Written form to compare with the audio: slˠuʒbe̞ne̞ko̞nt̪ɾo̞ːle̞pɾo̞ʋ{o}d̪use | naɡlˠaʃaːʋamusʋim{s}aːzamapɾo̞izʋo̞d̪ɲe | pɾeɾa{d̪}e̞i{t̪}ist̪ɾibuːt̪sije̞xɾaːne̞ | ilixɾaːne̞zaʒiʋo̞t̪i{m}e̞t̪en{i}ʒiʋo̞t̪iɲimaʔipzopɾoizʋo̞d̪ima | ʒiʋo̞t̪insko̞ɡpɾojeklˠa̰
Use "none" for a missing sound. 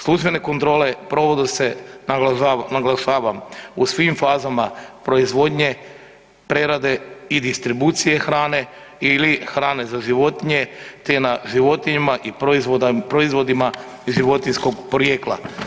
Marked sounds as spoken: o, f, d̪, d̪, ɲ, a

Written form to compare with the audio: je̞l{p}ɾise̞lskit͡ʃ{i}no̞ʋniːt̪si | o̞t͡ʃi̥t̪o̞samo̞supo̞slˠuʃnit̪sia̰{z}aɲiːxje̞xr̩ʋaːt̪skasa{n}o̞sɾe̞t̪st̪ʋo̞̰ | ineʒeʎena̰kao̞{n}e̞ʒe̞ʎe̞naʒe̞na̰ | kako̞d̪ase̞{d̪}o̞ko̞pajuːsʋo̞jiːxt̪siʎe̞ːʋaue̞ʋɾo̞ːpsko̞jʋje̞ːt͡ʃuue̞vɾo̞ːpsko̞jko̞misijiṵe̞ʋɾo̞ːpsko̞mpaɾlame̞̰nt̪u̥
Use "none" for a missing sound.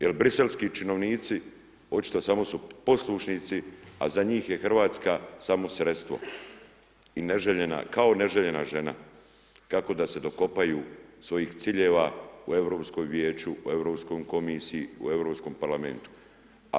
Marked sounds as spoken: b, i, z, m, n, d̪

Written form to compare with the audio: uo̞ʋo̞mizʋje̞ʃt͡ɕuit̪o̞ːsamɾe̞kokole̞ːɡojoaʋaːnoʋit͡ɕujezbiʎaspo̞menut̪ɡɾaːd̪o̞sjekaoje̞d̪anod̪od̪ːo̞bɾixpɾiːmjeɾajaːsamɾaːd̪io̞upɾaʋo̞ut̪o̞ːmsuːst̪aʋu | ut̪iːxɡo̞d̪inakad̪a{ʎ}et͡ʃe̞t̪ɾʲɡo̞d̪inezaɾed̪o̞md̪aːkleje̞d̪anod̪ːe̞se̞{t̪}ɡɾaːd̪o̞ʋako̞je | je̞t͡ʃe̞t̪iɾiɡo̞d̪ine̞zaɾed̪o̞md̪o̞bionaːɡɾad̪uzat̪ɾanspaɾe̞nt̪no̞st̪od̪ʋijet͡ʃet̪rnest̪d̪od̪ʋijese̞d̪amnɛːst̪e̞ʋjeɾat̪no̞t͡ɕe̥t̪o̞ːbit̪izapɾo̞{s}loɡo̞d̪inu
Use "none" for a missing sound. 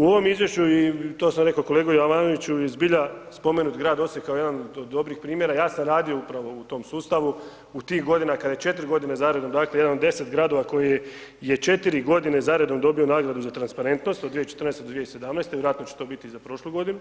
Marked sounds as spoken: j, t̪, ʃ

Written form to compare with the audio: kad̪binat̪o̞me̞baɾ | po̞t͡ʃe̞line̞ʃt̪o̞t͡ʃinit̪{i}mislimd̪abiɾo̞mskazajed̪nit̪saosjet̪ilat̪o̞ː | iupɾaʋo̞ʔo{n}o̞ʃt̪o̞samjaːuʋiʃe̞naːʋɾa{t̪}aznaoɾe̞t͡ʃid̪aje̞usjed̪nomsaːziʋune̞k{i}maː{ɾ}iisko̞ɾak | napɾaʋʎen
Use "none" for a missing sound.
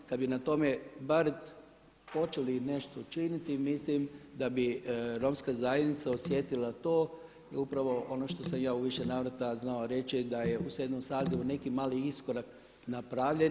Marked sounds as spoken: i, n, t̪, i, l

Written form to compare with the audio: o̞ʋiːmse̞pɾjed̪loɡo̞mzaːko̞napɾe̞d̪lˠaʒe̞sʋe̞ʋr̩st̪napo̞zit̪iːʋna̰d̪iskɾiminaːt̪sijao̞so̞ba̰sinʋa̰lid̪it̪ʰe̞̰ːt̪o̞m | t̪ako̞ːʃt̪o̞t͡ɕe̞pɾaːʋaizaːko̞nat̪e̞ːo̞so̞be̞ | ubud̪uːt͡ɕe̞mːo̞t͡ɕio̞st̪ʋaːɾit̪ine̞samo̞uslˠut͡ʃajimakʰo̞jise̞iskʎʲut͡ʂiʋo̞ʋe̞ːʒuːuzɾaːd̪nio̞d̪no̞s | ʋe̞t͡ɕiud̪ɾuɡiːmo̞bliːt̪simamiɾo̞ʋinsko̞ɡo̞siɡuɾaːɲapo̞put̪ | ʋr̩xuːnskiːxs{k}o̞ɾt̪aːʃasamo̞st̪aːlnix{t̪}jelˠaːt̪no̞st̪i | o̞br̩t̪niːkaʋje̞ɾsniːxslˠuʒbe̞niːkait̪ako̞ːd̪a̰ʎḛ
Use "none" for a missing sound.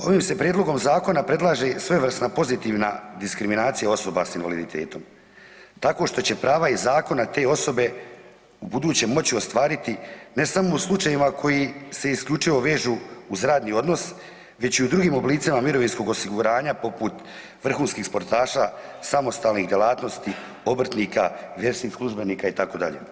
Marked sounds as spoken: p, d̪

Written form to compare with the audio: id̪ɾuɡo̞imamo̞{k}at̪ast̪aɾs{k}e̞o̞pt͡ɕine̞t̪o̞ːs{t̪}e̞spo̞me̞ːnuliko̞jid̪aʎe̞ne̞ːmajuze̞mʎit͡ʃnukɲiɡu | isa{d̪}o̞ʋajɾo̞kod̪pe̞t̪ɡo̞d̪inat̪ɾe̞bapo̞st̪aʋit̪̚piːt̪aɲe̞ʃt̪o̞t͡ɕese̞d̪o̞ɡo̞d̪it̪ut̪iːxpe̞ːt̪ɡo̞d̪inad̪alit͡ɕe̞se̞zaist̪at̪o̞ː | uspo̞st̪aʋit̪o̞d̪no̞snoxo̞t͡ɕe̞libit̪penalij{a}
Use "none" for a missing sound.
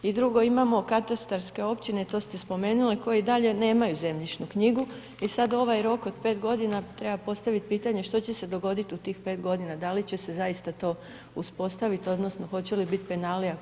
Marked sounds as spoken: k, k, t̪, d̪, a

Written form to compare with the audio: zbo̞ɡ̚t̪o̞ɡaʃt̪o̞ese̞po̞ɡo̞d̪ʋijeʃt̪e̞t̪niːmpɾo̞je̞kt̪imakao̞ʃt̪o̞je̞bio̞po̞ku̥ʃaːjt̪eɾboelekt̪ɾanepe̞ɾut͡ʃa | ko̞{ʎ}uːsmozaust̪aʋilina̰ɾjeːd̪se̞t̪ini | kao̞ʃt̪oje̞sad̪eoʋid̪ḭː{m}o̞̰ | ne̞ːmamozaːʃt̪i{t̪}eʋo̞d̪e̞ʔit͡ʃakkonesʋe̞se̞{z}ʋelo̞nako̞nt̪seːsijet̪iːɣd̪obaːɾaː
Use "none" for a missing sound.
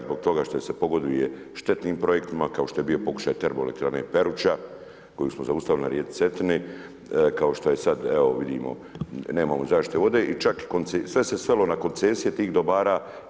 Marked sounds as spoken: j, m, t̪, s

